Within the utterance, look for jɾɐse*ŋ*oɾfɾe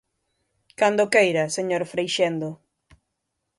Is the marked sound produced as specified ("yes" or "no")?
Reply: no